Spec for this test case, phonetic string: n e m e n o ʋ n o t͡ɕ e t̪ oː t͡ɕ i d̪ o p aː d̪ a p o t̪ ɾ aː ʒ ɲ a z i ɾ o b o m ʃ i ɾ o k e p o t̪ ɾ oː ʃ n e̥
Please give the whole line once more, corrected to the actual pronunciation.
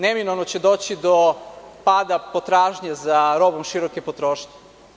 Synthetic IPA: n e m i n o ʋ n o t͡ɕ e d̪ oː t͡ɕ i d̪ o p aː d̪ a p o t̪ ɾ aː ʒ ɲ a z a ɾ o b o m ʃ i ɾ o k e p o t̪ ɾ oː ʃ ɲ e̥